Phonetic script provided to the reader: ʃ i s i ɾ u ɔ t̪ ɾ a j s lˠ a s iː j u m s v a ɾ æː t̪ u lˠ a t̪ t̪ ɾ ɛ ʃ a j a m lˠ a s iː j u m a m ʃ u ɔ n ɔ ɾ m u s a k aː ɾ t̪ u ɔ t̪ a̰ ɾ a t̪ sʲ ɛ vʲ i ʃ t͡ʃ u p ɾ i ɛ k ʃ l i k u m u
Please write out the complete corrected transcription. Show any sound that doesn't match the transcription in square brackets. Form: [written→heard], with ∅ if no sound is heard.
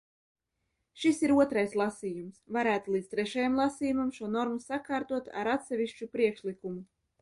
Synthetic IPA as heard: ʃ i s i ɾ u ɔ t̪ ɾ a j s lˠ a s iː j u m s v a ɾ æː t̪ u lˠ [a→i] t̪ t̪ ɾ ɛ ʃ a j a m lˠ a s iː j u m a m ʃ u ɔ n ɔ ɾ m u s a k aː ɾ t̪ u ɔ t̪ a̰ ɾ a t̪ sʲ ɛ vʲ i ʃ t͡ʃ u p ɾ i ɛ k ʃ l i k u m u

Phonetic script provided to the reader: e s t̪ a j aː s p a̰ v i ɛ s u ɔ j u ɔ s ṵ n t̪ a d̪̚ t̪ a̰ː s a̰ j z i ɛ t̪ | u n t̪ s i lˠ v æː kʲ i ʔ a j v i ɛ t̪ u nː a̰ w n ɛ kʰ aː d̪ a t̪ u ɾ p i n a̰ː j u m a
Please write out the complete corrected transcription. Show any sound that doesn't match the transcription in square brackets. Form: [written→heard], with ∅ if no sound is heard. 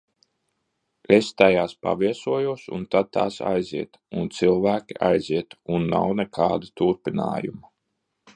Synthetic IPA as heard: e s t̪ a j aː s p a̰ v i ɛ s u ɔ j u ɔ s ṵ n t̪ a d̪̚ t̪ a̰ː s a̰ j z i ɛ t̪ | u n t̪ s i lˠ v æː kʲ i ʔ a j [v→z] i ɛ t̪ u nː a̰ w n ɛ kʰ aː d̪ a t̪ u ɾ p i n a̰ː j u m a

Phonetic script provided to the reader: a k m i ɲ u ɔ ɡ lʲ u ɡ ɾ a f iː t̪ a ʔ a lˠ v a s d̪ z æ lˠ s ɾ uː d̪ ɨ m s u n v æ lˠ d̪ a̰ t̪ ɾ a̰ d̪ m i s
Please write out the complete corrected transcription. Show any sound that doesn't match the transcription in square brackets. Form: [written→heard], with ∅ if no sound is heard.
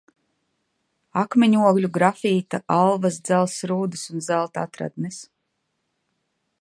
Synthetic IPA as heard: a k m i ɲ u ɔ ɡ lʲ u ɡ ɾ a f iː t̪ a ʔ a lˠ v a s d̪ z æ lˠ s ɾ uː d̪ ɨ [m→∅] s u n [v→z] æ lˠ [d̪→t̪] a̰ t̪ ɾ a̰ d̪ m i s

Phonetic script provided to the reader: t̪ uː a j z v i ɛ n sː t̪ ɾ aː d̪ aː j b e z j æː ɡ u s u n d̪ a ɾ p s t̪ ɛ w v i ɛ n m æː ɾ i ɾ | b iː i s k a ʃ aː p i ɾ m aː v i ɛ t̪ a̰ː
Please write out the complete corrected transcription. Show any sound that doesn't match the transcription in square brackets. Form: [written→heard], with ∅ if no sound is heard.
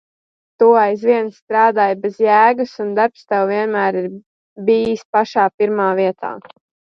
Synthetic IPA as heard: t̪ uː a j z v i ɛ n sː t̪ ɾ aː d̪ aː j b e z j æː ɡ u s u n d̪ a ɾ p s t̪ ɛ w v i ɛ n m æː ɾ i ɾ | b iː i s [k→p] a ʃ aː p i ɾ m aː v i ɛ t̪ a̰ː

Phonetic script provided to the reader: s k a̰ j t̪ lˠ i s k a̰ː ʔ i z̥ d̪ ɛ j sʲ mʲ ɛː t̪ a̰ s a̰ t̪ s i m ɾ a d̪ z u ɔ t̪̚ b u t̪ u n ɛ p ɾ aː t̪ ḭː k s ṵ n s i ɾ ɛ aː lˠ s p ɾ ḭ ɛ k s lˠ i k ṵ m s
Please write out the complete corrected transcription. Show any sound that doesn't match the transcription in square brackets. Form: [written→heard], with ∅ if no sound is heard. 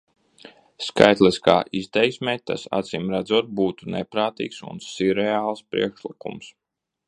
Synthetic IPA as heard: s k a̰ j t̪ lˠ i s k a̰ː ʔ i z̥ [d̪→t̪] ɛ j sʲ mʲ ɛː t̪ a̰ s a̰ t̪ s i m ɾ a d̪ z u ɔ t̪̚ b [u→uː] t̪ u n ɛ p ɾ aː t̪ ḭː k s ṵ n s i ɾ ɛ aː lˠ s p ɾ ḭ ɛ k [s→ʃ] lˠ i k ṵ m s

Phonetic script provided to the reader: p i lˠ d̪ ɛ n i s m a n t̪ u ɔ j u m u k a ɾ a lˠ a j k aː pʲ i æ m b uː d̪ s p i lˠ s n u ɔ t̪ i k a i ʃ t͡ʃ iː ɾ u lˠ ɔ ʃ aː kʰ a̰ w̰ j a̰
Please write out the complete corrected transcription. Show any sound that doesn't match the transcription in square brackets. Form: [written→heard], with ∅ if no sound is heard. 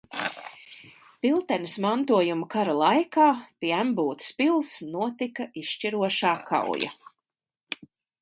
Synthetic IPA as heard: p i lˠ [d̪→t̪] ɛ n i s m a n t̪ u ɔ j u m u k a ɾ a lˠ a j k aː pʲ i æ m b uː [d̪→t̪] s p i lˠ s n u ɔ t̪ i k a i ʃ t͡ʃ [iː→i] ɾ u [lˠ→∅] ɔ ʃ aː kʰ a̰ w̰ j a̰

